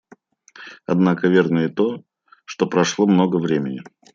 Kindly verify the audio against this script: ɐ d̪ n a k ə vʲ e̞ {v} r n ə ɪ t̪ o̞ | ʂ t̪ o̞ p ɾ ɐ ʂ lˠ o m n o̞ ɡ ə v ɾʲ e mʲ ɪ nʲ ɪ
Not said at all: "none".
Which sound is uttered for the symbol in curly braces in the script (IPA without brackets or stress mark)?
none